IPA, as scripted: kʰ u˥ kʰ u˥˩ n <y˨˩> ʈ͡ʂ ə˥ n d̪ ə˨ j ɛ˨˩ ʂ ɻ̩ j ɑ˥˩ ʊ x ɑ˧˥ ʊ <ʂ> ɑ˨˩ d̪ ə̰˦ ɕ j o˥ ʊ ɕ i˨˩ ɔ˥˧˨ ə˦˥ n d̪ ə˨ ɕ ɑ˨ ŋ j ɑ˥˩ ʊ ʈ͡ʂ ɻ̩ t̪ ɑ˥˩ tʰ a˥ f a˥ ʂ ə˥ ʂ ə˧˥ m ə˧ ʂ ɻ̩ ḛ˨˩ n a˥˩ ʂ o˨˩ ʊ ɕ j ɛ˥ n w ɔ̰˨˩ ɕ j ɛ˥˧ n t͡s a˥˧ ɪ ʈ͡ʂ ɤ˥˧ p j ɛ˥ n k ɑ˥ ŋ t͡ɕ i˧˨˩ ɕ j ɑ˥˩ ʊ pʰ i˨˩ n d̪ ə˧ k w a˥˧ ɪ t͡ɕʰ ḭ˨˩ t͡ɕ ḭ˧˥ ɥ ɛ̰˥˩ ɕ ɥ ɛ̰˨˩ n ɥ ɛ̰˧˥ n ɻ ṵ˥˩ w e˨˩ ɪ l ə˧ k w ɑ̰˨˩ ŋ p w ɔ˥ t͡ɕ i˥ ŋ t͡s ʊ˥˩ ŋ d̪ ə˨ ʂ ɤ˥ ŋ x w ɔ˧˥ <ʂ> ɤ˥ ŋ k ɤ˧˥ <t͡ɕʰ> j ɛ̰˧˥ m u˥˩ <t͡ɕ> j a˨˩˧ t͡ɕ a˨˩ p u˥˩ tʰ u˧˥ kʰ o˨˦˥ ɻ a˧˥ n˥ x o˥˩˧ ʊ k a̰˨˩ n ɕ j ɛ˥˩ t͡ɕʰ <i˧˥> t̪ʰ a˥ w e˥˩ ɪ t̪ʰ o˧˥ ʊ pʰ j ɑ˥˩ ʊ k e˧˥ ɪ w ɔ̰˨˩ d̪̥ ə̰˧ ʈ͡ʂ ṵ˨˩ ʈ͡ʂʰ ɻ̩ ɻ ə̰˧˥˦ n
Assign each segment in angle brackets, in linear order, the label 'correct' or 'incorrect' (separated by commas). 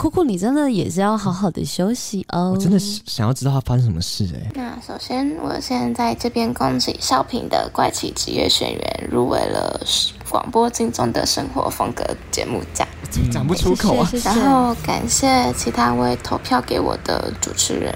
incorrect, incorrect, incorrect, incorrect, correct, correct